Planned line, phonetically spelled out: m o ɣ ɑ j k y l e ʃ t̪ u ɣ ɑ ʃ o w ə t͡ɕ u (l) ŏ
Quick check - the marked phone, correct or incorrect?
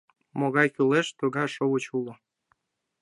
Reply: correct